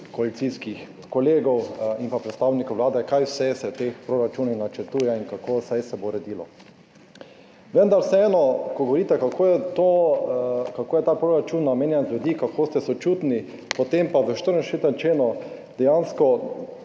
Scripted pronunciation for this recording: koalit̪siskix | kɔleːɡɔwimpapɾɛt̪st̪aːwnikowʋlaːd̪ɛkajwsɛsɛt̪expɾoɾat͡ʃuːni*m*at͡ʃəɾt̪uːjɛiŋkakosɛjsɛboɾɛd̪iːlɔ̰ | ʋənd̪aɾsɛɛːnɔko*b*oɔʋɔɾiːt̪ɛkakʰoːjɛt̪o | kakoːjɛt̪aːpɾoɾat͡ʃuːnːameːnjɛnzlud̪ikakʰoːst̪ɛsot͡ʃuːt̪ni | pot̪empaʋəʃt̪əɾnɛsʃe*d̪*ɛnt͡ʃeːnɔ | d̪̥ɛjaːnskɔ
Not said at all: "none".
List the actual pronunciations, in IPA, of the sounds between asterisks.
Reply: n, ɡ, t̪

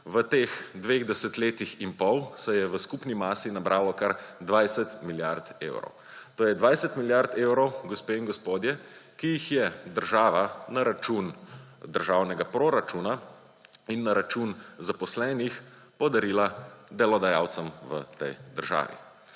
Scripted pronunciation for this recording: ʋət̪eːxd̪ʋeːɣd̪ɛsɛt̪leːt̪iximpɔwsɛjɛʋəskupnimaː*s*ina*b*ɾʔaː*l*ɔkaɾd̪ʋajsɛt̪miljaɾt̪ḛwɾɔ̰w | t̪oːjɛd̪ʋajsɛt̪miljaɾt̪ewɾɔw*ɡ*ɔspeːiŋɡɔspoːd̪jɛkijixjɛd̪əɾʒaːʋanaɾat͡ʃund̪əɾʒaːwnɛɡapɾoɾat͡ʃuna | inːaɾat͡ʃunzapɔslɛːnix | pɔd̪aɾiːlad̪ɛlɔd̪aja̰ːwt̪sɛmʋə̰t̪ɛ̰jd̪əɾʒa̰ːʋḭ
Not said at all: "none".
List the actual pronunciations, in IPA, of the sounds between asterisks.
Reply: s, b, l, ɡ

